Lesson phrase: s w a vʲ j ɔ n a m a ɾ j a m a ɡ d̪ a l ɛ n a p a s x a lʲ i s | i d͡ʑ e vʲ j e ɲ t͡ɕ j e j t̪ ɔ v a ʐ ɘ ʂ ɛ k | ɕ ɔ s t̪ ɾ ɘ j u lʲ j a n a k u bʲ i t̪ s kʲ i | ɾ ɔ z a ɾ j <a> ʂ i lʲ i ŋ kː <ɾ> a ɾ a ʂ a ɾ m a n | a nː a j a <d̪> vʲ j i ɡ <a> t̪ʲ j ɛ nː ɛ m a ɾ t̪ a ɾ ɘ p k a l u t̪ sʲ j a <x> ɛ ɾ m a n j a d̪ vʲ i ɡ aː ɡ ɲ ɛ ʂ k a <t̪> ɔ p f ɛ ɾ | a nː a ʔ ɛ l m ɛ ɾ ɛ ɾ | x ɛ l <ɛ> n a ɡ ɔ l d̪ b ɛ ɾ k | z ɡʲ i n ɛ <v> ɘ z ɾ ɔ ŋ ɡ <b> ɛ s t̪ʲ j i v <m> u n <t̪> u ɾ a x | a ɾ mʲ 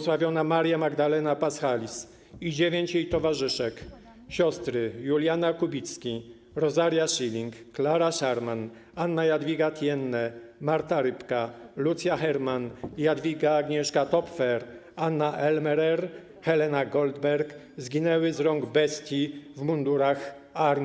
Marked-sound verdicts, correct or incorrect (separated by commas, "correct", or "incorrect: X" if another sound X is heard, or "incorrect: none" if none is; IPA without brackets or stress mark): correct, incorrect: l, correct, correct, correct, correct, correct, incorrect: w, correct, correct, incorrect: d̪